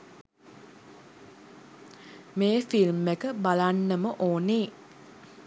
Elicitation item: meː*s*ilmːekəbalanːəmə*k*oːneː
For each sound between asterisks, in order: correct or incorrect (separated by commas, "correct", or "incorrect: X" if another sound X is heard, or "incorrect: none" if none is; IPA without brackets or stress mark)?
incorrect: f, incorrect: ʔ